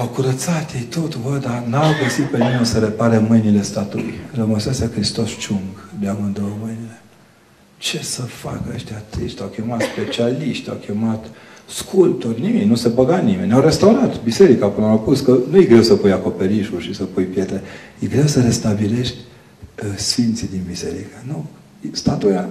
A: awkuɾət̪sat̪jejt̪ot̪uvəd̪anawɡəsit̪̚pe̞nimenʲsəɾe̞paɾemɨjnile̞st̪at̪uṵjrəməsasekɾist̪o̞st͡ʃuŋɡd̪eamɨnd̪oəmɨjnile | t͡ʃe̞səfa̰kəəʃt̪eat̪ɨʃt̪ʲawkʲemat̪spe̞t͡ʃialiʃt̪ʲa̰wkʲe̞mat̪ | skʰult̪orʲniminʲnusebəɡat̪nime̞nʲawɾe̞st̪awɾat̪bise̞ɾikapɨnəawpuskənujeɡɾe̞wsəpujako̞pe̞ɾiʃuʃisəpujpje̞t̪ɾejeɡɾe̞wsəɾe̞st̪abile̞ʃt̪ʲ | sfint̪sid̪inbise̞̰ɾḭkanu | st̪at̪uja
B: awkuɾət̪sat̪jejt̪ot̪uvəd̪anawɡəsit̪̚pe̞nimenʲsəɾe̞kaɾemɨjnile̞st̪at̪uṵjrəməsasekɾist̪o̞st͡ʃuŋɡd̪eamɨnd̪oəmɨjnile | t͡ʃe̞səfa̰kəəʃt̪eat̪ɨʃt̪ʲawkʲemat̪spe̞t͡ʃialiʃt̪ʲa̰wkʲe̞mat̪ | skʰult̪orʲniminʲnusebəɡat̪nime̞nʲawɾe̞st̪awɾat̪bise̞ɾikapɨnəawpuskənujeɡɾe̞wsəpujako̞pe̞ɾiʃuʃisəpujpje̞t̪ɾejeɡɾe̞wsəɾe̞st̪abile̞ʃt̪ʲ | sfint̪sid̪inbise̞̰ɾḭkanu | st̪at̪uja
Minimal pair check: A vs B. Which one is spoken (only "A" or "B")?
A